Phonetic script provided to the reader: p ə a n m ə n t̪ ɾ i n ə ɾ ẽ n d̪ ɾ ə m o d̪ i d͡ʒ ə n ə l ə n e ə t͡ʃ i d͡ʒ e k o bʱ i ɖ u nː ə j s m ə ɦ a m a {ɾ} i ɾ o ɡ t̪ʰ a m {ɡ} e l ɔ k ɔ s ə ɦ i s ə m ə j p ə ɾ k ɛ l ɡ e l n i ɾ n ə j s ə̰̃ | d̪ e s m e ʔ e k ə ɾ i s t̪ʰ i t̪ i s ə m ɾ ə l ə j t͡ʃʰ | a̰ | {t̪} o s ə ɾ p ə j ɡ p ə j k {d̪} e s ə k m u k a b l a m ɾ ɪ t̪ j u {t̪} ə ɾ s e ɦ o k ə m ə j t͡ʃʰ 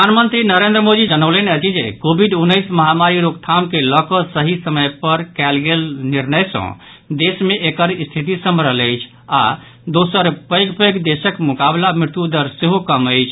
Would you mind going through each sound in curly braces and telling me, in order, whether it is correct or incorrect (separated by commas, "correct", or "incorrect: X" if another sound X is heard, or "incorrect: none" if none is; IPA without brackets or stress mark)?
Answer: correct, incorrect: k, incorrect: d̪, correct, incorrect: d̪